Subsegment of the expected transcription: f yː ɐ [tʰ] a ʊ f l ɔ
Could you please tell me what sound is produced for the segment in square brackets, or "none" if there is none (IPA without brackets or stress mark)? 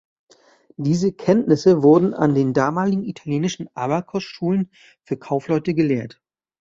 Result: kʰ